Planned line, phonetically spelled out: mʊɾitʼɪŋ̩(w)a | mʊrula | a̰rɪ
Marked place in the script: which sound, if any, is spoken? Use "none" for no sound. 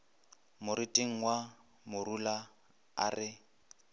w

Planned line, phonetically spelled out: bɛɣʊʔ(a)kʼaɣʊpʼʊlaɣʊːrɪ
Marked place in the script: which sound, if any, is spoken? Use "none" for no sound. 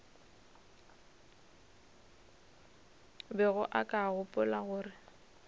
a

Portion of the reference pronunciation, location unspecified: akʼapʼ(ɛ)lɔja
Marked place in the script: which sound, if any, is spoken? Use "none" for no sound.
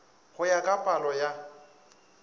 a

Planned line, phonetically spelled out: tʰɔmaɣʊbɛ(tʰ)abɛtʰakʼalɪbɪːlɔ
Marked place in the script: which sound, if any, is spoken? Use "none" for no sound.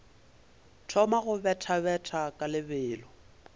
tʰ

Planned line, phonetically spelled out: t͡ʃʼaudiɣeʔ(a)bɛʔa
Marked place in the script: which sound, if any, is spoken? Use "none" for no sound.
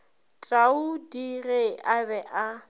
a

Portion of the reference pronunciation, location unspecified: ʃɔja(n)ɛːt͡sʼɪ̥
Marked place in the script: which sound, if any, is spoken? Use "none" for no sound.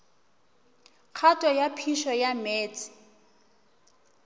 m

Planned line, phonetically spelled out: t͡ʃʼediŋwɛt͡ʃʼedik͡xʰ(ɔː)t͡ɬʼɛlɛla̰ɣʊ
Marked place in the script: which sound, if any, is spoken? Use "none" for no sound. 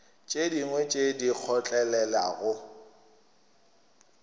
ɔ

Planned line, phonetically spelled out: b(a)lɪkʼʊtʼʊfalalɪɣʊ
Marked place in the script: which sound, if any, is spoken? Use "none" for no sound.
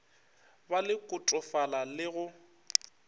a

